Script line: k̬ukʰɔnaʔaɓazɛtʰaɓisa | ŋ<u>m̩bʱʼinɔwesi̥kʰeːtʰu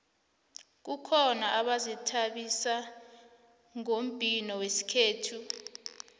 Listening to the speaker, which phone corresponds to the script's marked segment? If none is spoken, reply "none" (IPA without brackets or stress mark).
o